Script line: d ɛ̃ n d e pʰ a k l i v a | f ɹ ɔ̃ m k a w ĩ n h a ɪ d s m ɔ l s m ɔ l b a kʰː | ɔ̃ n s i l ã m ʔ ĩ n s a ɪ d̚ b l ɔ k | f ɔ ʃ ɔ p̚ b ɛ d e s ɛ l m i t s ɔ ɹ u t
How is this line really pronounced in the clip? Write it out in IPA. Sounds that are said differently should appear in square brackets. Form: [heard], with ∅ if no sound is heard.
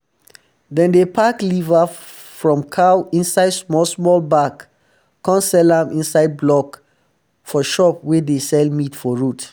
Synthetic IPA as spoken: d ɛ̃ n d e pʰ a k l i v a | f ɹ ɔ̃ m [kʰ] a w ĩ n [s] a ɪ d s m ɔ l s m ɔ l b a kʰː | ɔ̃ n s [ɛ] l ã m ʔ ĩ n s a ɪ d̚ b l ɔ k | f ɔ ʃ ɔ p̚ [w] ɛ d e s ɛ l m i t [f] ɔ ɹ u t